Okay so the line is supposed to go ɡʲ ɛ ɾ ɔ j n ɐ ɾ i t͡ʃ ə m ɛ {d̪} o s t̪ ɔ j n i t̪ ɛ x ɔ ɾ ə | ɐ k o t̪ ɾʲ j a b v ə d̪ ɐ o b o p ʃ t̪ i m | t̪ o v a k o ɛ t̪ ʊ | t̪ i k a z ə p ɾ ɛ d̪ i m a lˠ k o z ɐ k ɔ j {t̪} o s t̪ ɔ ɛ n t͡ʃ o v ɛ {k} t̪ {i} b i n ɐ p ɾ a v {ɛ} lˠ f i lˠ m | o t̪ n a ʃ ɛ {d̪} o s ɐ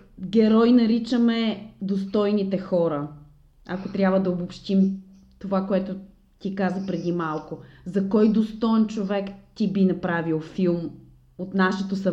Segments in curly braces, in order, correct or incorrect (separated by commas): correct, incorrect, correct, correct, incorrect, incorrect